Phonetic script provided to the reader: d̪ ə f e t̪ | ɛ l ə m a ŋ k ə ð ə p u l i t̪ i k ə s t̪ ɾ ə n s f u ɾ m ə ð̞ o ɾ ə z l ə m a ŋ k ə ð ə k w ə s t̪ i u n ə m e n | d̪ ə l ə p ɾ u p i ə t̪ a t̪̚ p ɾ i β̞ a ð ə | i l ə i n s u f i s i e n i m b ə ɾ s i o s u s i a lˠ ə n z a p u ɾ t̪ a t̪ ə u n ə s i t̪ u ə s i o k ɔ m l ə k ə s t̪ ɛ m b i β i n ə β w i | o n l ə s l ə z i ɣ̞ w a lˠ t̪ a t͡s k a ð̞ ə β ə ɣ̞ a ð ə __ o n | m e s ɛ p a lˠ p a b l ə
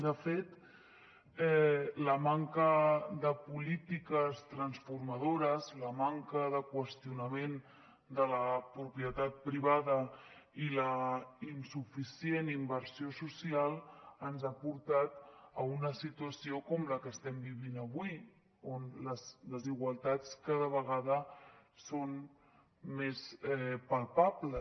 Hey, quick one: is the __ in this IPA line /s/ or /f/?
s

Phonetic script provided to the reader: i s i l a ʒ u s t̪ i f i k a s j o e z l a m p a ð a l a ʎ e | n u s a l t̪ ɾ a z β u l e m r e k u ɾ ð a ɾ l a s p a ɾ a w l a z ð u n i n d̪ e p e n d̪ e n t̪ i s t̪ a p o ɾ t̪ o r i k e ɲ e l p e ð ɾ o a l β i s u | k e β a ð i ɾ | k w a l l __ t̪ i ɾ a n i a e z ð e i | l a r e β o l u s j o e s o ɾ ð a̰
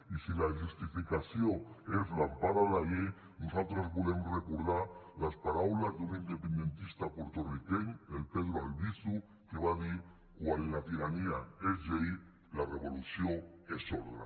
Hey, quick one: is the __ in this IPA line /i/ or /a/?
a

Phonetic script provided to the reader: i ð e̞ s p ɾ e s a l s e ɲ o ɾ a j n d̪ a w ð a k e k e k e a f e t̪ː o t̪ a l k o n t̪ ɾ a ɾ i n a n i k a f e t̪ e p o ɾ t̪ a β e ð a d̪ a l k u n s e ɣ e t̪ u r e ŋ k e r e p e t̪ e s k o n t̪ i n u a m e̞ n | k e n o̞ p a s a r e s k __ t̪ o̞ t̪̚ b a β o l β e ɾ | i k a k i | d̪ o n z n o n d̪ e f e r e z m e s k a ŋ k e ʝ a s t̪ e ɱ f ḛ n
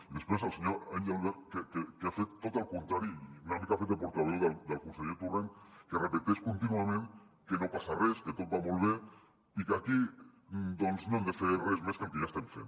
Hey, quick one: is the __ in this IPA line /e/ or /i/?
e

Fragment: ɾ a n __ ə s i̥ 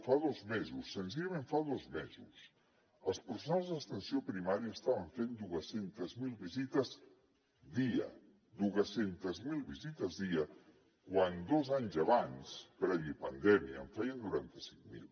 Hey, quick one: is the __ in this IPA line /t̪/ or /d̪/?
t̪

